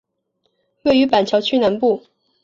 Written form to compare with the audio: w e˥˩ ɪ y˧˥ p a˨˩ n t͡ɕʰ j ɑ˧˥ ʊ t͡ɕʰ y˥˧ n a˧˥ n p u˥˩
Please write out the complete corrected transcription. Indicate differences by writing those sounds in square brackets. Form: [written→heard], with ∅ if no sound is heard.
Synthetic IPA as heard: w e˥˩ ɪ y˧˥ p a˨˩ n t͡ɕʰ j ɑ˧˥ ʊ t͡ɕʰ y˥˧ n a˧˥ n p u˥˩